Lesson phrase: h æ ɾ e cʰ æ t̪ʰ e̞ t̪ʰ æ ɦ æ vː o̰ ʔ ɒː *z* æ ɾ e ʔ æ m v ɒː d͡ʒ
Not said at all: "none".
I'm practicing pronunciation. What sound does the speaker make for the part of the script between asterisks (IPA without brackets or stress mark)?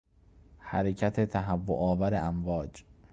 v